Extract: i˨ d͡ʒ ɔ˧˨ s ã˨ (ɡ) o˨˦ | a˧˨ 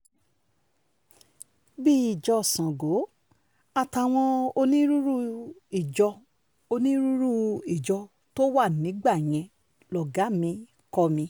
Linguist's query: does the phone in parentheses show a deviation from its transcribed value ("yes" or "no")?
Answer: no